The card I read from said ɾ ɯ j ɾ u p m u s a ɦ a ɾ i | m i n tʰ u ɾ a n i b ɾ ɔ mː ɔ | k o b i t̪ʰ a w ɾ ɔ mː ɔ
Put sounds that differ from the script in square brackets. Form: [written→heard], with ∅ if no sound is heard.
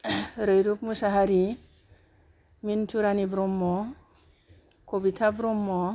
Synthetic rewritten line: ɾ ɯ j ɾ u p m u s a ɦ a ɾ i | m i n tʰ u ɾ a n i b ɾ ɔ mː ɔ | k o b i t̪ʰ a [w→b] ɾ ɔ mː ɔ